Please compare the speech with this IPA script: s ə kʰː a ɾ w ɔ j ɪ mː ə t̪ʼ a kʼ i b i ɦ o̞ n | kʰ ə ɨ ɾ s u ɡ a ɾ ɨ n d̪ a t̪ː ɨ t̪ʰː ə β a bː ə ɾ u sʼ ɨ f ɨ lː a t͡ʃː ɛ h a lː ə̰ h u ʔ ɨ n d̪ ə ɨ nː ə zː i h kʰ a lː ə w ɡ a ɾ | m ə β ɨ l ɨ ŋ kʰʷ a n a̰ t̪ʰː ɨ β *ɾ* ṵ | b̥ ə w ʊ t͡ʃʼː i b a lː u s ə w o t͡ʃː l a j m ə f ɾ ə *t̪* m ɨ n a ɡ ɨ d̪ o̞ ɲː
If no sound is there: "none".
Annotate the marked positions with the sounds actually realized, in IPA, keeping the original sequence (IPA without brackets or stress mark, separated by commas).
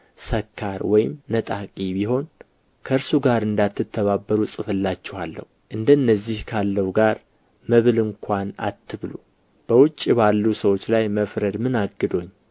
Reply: l, d̪